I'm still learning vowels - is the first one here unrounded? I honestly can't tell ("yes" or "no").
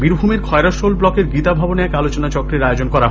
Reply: yes